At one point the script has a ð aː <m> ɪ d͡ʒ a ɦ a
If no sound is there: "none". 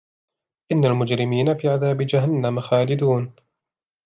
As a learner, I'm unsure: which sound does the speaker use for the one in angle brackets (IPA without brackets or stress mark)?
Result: b